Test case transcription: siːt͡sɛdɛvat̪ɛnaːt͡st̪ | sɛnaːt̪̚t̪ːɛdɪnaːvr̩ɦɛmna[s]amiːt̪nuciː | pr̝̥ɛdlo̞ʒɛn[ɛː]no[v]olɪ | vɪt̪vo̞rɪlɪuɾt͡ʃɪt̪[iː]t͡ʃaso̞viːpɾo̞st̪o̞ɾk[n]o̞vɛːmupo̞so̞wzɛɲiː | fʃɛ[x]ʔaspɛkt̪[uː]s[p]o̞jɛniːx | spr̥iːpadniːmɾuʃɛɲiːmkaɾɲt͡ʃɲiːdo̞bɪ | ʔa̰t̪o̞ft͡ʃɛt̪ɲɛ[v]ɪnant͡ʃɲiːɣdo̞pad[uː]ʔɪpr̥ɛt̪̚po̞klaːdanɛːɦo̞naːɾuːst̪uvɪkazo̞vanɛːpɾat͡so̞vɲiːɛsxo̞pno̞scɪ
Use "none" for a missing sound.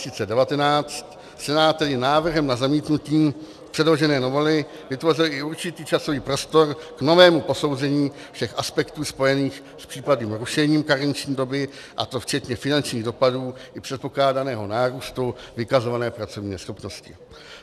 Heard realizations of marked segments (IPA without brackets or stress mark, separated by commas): z, ɛː, v, iː, n, x, uː, p, f, uː